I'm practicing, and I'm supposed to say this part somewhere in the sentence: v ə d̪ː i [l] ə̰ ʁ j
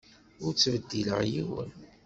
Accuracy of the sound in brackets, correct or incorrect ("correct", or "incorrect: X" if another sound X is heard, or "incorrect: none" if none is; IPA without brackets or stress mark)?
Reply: correct